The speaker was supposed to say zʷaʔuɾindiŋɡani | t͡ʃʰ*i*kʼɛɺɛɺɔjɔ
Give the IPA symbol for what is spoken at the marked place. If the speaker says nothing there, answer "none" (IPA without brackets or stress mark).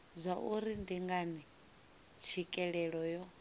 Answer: i